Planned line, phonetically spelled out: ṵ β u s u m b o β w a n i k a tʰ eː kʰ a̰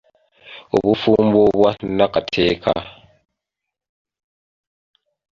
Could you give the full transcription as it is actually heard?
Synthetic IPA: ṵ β u f u m b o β w a n a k a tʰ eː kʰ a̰